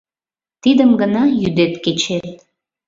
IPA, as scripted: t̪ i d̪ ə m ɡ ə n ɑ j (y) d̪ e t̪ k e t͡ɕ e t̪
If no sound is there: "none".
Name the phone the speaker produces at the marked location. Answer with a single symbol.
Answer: y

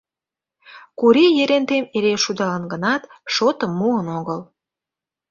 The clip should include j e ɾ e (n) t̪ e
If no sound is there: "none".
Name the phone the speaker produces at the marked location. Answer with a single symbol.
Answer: n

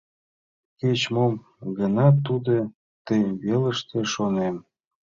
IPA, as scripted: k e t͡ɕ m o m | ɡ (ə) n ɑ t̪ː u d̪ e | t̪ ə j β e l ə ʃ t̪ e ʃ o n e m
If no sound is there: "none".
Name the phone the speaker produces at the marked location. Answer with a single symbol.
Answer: ə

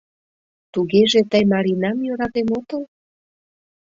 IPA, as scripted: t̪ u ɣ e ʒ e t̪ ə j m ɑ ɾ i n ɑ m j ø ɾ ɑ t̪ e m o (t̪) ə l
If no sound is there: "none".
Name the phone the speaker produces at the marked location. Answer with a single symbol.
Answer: t̪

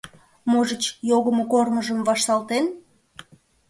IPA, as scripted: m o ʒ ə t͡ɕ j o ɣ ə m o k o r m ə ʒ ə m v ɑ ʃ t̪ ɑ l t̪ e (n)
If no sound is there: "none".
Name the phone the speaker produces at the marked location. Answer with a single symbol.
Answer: n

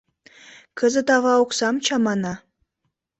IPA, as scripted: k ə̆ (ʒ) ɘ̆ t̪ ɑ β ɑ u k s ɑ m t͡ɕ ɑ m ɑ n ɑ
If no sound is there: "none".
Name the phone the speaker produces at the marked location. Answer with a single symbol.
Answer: z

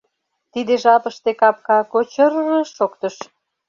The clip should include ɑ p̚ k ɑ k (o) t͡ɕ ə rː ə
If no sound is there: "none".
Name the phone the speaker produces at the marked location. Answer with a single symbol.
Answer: o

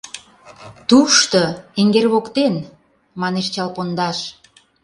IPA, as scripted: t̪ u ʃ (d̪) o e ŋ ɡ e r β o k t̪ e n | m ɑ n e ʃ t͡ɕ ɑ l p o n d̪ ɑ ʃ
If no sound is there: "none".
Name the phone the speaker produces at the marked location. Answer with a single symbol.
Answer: t̪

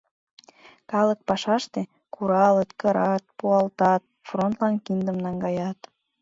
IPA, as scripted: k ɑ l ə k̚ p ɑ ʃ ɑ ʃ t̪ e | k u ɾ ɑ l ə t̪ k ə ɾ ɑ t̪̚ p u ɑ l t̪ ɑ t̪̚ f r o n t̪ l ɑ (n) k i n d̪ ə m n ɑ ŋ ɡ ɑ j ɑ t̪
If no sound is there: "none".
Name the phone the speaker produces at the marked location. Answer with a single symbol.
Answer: n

